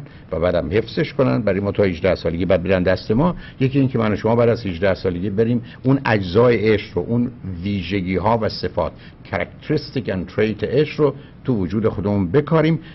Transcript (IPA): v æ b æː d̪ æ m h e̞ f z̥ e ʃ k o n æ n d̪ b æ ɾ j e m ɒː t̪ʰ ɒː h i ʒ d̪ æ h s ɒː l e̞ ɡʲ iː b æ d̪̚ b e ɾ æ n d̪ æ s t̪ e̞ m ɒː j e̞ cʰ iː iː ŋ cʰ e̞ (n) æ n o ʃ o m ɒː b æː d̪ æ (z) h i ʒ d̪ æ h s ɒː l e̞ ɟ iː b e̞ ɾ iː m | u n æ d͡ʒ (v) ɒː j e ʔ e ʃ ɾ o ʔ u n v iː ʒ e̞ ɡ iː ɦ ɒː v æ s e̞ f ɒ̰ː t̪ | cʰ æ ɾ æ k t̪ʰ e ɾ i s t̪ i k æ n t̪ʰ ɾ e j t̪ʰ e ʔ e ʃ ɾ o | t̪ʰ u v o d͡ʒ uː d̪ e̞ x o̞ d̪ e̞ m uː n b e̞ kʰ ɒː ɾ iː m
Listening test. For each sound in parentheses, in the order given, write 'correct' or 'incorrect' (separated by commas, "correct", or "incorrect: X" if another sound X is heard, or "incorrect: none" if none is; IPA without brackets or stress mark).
incorrect: m, correct, incorrect: z